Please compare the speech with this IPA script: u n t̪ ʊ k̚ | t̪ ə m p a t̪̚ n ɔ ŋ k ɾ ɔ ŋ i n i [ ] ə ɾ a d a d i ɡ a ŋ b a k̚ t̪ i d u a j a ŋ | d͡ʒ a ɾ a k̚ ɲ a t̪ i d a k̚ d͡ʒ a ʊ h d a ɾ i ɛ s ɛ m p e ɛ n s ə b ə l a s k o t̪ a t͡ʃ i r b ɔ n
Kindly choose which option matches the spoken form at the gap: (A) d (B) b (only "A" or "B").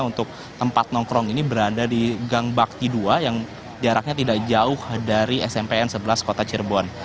B